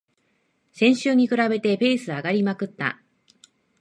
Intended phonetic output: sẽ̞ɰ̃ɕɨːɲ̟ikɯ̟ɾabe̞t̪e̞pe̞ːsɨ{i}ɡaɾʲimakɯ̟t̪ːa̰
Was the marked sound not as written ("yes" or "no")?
yes